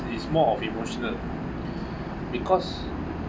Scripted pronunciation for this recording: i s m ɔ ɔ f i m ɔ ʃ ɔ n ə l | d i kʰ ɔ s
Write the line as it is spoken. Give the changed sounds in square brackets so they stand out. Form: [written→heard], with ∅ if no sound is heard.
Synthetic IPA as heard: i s m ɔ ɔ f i m [ɔ→o] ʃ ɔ n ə l | [d→b] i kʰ ɔ s